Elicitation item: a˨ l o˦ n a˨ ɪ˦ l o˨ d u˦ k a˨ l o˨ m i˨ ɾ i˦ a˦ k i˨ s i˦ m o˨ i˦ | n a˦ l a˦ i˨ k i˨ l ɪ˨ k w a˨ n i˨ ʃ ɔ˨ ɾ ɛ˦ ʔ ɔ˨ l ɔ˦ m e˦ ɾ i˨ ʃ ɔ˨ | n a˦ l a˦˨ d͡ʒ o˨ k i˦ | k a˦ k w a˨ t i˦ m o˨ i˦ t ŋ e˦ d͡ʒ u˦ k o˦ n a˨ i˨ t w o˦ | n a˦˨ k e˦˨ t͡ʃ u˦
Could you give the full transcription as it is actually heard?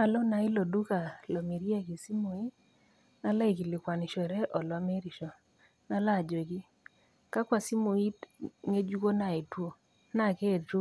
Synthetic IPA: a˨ l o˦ n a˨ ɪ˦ l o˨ d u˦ k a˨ l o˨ m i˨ ɾ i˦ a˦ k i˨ s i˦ m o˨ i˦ | n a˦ l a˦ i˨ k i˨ l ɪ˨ k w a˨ n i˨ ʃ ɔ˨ ɾ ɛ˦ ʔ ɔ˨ l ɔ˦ m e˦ ɾ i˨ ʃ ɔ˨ | n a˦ l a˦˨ d͡ʒ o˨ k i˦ | k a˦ k w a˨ s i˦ m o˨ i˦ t ŋ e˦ d͡ʒ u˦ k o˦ n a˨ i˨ t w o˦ | n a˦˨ k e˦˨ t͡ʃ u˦